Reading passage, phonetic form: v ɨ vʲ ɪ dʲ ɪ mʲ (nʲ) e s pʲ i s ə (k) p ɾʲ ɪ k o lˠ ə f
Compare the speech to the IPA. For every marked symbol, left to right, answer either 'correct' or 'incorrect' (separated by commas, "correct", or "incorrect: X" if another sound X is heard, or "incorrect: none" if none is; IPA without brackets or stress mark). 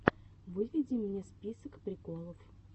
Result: correct, correct